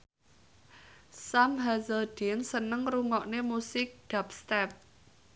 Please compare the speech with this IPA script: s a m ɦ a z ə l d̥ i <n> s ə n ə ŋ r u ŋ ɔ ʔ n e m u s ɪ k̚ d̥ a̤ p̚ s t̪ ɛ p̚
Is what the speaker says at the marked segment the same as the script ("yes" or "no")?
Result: yes